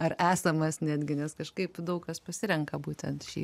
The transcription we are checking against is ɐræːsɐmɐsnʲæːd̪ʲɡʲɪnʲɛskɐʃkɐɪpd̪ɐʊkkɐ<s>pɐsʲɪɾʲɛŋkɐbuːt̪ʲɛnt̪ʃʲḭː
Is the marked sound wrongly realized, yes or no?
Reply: no